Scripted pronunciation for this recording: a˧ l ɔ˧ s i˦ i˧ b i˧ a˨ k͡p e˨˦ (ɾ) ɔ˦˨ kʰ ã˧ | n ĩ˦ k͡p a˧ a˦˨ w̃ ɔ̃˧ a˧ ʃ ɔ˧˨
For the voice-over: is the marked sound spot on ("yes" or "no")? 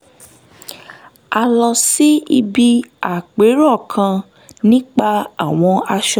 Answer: yes